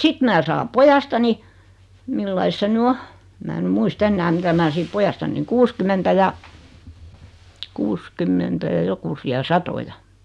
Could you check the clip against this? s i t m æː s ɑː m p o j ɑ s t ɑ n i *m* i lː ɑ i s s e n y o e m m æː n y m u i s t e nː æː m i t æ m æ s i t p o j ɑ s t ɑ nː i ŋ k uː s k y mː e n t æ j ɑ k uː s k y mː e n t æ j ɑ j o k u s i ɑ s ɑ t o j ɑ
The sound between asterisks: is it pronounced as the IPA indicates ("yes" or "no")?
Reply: yes